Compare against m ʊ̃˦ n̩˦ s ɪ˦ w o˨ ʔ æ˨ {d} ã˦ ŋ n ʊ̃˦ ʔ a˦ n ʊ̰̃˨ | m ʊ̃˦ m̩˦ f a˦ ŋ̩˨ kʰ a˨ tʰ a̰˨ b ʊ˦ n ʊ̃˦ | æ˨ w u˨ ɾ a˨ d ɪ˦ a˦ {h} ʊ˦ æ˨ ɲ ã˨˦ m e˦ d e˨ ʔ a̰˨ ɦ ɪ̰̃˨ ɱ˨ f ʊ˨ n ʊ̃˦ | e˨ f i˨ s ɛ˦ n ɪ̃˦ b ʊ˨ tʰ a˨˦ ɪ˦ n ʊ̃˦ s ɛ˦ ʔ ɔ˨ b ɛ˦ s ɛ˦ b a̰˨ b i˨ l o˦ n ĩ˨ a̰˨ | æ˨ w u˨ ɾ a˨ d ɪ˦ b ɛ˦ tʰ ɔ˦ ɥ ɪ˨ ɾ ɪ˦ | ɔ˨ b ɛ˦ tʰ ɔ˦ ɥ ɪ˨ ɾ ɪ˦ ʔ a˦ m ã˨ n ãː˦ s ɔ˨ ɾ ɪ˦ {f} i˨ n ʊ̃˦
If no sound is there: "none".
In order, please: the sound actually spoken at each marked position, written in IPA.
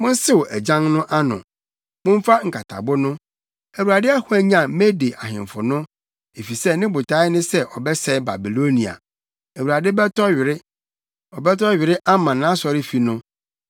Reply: d͡ʑ, h, f

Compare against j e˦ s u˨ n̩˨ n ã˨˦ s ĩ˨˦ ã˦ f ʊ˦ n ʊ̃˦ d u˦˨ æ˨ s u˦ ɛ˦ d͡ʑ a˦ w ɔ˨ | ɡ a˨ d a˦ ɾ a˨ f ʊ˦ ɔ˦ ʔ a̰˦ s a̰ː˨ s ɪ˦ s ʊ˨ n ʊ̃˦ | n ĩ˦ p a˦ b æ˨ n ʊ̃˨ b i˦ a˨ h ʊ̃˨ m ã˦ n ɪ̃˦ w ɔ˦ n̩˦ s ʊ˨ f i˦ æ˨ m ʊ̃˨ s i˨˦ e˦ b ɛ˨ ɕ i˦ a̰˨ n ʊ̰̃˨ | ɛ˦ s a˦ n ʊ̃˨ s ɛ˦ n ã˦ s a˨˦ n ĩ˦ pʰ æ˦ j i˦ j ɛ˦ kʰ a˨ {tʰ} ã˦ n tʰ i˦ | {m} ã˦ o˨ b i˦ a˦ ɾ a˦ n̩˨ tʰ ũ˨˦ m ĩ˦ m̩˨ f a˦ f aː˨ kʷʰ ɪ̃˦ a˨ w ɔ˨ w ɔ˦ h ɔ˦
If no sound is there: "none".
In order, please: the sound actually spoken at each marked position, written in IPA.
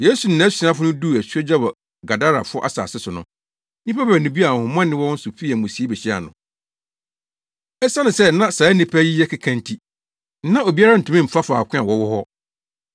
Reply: kʰ, n

